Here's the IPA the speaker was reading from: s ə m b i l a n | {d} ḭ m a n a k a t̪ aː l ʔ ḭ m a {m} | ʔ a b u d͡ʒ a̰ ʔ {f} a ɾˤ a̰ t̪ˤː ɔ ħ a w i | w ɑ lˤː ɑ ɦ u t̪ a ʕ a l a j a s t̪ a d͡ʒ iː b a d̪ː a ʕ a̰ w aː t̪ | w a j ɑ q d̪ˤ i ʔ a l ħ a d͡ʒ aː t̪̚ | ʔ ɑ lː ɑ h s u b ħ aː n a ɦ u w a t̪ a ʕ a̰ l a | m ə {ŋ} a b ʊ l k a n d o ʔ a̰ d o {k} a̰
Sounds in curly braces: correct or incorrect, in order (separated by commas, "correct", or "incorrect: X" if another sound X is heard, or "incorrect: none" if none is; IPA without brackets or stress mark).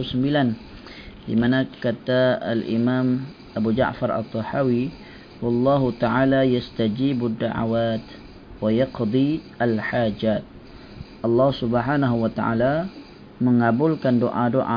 correct, correct, correct, correct, incorrect: ʔ